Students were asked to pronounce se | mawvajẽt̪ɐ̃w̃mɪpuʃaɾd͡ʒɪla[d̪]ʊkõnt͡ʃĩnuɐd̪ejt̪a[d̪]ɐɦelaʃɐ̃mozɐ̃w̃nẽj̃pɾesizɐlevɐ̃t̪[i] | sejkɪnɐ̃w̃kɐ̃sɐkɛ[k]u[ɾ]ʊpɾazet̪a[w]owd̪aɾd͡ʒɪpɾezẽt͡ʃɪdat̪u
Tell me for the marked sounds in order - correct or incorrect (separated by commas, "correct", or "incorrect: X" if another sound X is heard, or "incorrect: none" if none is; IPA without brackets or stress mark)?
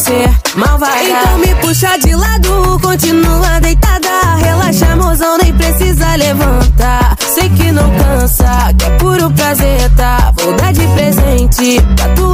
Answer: correct, correct, incorrect: a, incorrect: p, correct, incorrect: v